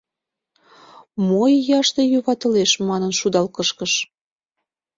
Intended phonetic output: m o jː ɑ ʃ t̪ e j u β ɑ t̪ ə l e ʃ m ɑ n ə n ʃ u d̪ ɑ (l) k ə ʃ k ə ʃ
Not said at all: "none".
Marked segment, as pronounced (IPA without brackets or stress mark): l